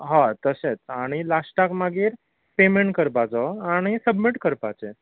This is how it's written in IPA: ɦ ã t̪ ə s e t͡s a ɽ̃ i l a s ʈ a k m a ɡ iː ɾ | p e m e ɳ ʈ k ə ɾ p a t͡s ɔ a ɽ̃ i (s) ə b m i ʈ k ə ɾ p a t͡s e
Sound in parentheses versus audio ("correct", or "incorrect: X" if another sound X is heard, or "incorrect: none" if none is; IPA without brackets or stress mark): correct